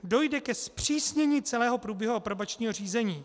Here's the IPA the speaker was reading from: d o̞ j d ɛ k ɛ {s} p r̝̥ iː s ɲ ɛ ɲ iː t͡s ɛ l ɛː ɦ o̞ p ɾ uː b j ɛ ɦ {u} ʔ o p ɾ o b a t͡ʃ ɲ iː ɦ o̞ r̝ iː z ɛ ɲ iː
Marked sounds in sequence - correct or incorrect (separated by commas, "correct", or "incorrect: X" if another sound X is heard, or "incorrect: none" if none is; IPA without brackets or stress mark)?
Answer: correct, correct